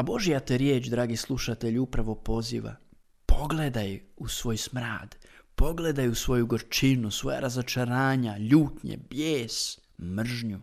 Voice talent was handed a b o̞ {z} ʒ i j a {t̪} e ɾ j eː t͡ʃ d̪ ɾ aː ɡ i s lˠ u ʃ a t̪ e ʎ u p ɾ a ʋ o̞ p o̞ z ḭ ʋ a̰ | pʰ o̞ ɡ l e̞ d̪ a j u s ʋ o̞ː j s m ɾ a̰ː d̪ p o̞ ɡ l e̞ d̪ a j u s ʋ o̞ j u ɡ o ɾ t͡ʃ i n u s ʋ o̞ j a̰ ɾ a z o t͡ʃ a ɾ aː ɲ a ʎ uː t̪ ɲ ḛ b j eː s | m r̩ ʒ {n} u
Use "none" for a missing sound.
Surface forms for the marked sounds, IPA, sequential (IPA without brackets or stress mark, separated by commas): none, t̪, ɲ